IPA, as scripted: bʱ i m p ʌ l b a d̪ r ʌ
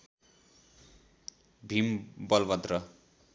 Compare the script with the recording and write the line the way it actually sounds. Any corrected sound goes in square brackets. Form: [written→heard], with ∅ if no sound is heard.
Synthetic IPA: bʱ i m [p→b] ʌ l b [a→ʌ] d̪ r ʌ